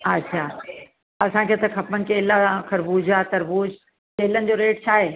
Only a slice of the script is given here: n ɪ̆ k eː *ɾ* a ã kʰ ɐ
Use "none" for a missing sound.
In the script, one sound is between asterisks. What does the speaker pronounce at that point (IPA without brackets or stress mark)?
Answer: l